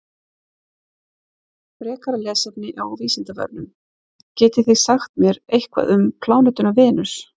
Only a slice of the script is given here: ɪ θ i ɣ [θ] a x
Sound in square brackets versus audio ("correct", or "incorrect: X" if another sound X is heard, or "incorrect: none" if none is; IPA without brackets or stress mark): incorrect: s